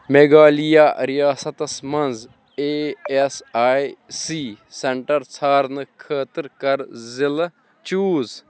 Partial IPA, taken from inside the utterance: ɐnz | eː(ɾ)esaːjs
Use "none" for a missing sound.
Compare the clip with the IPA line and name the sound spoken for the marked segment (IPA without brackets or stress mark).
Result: none